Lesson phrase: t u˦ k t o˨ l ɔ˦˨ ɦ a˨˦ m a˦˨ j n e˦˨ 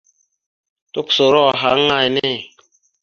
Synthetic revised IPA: t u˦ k s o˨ ɾ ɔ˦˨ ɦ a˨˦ ŋ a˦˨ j n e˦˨